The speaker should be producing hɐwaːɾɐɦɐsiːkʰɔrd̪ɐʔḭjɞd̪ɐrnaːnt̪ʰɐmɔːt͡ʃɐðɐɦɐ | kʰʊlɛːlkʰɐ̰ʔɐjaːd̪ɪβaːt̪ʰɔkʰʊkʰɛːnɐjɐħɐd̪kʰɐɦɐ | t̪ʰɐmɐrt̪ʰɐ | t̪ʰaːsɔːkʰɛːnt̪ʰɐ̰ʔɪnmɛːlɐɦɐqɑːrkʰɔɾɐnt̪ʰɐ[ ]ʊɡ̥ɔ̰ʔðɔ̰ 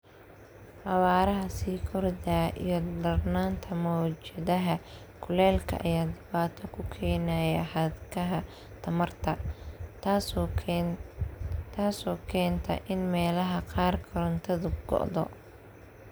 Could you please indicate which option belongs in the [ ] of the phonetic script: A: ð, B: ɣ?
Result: A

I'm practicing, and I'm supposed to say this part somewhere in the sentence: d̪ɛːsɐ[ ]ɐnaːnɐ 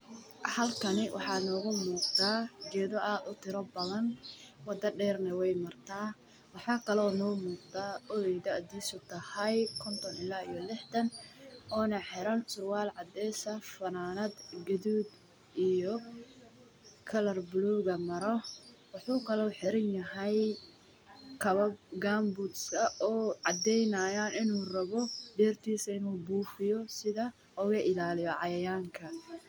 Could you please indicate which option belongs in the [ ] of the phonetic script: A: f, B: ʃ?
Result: A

